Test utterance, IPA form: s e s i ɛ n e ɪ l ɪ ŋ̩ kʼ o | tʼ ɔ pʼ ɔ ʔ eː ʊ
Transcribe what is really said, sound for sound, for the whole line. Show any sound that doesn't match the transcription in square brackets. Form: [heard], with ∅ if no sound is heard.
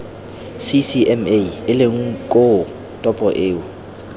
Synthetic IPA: s [i] s i ɛ [m] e ɪ l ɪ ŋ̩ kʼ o | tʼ ɔ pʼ ɔ ʔ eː ʊ